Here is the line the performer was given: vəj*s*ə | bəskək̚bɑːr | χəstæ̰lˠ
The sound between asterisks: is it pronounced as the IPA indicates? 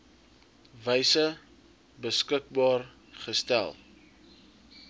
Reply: yes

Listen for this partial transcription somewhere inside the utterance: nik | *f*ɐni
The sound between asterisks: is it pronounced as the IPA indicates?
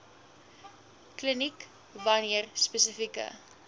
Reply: no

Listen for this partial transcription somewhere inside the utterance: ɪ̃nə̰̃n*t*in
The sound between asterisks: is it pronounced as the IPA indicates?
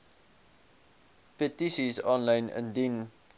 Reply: no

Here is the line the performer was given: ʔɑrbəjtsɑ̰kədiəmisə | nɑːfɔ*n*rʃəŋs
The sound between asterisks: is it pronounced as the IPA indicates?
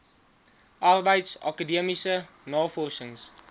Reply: no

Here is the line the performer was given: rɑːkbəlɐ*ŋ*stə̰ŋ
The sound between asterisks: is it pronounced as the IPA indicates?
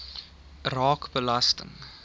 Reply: no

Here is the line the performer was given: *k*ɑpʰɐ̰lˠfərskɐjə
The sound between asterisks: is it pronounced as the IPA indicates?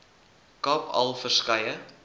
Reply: yes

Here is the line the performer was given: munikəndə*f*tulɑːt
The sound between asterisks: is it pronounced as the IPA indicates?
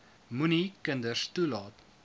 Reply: no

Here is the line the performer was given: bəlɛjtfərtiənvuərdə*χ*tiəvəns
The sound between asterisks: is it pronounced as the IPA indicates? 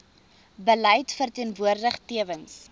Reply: yes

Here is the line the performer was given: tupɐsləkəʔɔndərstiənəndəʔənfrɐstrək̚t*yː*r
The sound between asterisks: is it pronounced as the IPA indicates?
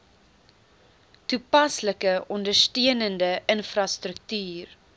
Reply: yes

